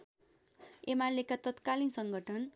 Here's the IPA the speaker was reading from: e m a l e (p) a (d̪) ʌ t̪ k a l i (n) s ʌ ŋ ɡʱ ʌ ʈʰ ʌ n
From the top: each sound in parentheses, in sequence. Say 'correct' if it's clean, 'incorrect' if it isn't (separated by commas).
incorrect, incorrect, correct